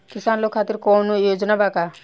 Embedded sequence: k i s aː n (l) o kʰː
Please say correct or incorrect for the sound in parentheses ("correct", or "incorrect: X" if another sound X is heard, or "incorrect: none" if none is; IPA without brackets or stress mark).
correct